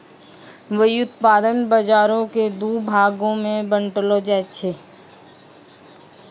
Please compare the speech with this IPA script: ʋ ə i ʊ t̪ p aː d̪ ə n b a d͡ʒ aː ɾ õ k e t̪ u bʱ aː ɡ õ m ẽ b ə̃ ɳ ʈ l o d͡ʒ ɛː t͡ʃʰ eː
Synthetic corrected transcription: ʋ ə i ʊ t̪ p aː d̪ ə n b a d͡ʒ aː ɾ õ k e d̪ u bʱ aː ɡ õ m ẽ b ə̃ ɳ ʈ l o d͡ʒ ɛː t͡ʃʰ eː